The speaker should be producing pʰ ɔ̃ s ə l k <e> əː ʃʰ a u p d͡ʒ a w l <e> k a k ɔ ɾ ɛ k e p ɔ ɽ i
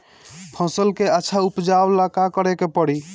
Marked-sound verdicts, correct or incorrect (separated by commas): correct, incorrect